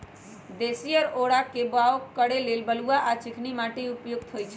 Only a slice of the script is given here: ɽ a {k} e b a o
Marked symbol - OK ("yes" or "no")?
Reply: yes